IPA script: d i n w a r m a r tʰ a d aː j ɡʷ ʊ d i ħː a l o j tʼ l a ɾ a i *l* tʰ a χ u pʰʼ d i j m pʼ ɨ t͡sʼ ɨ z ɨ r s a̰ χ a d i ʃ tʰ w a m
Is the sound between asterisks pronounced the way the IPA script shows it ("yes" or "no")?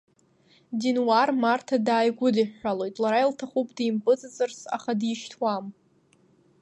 yes